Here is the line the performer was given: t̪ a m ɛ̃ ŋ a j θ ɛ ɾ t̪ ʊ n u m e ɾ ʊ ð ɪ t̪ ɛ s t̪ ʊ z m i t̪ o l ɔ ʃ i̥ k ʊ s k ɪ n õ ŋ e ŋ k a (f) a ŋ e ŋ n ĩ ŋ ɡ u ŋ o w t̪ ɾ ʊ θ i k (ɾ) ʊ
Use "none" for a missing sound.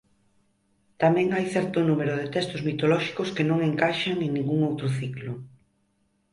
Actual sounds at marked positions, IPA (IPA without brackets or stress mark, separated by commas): ʃ, l